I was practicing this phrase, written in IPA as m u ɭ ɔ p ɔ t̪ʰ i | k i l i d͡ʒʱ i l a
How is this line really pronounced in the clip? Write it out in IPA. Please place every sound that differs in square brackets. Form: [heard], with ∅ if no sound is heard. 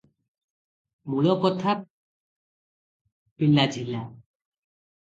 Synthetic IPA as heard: m u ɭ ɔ [k] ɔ t̪ʰ [a] | [p] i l [a] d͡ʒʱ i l a